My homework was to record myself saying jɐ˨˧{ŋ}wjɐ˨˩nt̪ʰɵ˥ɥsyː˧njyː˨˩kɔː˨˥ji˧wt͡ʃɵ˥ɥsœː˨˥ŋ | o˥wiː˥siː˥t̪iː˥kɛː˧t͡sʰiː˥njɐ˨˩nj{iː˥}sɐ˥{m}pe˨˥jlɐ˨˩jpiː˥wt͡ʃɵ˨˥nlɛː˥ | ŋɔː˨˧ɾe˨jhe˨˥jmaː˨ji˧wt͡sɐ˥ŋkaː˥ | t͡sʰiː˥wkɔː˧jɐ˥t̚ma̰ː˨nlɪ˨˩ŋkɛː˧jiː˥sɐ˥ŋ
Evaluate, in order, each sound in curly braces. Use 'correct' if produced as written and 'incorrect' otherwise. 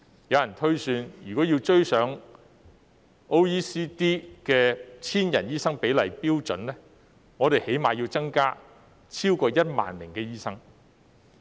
incorrect, correct, incorrect

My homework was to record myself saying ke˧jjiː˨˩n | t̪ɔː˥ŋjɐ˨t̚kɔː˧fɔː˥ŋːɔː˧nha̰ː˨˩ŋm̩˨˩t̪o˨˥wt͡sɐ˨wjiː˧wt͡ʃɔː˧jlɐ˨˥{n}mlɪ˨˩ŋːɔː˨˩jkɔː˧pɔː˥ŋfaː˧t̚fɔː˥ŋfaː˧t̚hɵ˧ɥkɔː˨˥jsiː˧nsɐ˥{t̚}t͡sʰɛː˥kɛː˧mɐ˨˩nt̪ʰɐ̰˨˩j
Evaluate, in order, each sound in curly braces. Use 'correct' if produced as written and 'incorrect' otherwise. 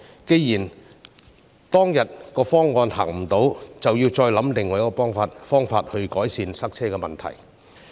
incorrect, incorrect

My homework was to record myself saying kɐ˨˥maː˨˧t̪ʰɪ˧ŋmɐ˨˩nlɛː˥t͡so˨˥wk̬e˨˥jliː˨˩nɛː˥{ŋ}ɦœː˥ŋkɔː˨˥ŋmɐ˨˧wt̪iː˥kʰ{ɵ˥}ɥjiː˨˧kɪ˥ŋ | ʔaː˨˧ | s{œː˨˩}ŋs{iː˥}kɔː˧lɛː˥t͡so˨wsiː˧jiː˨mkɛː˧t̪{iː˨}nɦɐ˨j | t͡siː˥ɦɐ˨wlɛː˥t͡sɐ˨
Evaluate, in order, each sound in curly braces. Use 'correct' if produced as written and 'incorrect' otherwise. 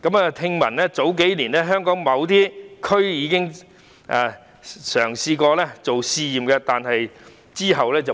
incorrect, correct, correct, incorrect, incorrect

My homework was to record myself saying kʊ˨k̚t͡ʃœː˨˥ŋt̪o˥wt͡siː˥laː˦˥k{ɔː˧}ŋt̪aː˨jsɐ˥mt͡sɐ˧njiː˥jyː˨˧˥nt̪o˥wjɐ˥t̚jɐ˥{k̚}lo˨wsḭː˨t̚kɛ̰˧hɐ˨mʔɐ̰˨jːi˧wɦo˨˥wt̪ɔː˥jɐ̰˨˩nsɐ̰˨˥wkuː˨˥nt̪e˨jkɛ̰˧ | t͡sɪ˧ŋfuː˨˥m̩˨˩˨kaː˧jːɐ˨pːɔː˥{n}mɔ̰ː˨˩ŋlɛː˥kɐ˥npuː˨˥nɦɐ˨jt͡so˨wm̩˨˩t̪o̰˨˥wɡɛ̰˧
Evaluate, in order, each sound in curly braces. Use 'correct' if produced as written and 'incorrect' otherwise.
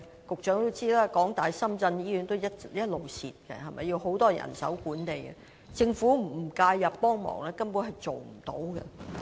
incorrect, incorrect, incorrect

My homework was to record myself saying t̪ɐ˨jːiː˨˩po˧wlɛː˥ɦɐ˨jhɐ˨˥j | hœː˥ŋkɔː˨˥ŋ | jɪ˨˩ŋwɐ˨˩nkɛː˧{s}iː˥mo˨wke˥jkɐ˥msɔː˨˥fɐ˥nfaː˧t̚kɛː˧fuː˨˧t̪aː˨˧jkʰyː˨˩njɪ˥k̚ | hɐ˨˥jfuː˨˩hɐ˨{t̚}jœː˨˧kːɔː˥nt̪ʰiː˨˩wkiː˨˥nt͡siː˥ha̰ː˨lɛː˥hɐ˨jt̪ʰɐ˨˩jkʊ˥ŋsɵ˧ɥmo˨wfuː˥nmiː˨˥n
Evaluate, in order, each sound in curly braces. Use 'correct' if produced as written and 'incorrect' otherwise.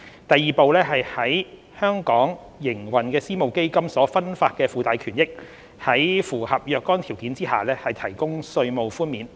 correct, incorrect

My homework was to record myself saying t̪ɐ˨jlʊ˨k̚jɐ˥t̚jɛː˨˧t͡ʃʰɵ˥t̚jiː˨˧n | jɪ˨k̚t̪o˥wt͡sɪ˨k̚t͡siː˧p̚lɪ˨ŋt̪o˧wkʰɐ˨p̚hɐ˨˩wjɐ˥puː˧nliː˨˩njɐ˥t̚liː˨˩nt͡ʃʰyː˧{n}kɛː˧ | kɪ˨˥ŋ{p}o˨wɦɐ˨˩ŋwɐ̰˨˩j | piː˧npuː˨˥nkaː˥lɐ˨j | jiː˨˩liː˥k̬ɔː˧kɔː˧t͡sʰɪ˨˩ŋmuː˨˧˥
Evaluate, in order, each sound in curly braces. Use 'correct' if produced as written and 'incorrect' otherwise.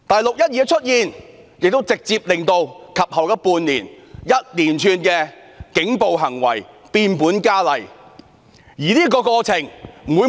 correct, correct

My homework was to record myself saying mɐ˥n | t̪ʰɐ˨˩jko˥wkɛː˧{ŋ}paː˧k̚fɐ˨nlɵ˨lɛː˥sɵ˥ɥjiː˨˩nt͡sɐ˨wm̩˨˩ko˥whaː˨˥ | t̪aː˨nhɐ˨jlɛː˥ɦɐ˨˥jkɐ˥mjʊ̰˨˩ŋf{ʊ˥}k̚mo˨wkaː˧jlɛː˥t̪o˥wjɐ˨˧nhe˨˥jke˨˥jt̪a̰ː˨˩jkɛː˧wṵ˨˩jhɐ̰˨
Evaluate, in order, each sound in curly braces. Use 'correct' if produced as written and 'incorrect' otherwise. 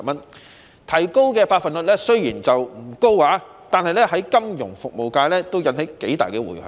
incorrect, incorrect

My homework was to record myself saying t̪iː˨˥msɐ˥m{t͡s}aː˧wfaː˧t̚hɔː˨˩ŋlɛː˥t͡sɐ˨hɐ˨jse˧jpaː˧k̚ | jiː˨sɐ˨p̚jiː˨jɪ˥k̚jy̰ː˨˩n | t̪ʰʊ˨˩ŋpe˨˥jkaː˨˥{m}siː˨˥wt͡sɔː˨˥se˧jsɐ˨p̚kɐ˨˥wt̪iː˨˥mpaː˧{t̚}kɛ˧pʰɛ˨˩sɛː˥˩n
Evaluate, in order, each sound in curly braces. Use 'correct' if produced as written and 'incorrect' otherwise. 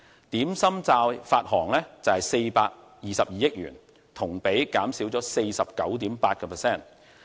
correct, correct, correct

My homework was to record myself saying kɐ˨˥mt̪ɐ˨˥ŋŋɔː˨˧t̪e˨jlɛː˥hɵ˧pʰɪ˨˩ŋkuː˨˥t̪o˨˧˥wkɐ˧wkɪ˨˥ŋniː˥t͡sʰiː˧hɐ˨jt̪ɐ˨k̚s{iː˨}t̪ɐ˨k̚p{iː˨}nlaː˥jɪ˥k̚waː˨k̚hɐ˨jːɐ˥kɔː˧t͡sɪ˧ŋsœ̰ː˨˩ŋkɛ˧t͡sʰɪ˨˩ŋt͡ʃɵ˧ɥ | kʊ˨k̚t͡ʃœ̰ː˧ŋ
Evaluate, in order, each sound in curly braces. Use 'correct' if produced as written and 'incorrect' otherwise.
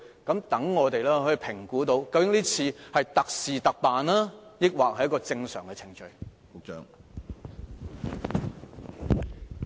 correct, incorrect

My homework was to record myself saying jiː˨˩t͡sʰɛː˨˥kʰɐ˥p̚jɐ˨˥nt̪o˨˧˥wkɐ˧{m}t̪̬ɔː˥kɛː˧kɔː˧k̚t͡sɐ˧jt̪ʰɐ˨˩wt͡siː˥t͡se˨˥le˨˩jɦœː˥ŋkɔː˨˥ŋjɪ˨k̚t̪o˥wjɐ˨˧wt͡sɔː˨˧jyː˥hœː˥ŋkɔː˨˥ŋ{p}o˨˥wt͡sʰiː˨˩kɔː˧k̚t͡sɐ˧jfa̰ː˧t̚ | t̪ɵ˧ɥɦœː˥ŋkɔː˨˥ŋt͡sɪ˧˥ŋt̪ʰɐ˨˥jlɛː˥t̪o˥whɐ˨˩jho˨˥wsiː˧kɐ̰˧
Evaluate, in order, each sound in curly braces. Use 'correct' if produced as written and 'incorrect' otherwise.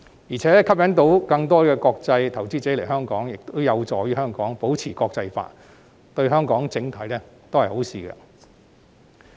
incorrect, correct

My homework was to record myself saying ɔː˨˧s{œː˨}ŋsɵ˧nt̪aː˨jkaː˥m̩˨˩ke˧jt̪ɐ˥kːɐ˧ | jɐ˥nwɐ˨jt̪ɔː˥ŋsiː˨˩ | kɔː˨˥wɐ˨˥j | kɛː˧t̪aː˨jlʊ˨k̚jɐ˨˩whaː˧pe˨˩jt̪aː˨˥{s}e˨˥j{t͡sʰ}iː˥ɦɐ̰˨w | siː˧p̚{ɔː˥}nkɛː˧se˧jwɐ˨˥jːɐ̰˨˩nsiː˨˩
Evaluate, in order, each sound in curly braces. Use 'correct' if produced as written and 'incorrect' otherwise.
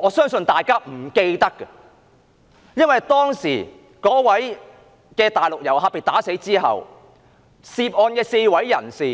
incorrect, correct, incorrect, incorrect

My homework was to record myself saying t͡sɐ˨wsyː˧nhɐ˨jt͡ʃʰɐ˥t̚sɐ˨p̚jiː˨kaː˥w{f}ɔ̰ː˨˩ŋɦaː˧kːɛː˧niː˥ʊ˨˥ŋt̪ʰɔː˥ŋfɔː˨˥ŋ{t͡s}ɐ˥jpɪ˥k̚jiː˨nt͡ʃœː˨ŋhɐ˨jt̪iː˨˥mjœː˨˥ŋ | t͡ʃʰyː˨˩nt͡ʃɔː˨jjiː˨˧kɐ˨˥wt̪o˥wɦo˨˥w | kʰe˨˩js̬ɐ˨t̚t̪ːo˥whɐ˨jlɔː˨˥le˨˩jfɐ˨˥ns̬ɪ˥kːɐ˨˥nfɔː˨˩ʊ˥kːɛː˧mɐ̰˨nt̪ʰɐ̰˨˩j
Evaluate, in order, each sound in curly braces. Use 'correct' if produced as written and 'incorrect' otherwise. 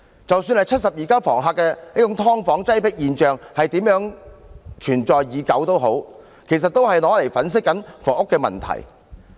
correct, correct

